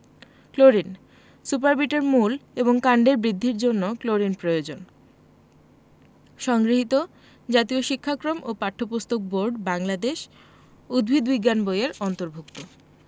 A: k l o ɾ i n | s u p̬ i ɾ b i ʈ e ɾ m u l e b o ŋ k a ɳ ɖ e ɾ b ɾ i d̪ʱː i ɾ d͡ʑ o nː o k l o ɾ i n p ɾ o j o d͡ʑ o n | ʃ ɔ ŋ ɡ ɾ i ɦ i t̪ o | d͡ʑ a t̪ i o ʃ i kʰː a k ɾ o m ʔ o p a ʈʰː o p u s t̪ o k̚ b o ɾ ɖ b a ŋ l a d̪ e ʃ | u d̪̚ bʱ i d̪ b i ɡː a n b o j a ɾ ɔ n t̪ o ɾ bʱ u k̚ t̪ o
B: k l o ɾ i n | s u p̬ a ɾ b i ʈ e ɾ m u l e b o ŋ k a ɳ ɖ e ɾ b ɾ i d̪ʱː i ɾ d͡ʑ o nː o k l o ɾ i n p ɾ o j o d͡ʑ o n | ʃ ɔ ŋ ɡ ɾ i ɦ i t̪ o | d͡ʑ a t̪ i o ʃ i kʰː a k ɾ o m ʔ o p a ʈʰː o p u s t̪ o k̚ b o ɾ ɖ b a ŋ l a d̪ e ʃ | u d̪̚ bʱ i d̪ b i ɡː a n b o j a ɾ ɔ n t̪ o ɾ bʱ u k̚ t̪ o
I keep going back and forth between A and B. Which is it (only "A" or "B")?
B